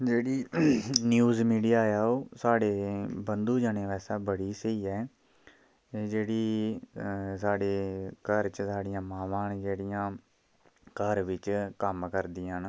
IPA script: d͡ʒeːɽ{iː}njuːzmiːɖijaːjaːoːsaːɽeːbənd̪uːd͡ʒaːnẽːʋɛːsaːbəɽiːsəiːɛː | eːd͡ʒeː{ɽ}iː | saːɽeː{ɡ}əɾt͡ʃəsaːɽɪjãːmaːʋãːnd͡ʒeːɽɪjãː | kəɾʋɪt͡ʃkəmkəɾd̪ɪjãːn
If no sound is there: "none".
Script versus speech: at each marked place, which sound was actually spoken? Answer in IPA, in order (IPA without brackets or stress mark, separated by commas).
iː, ɽ, k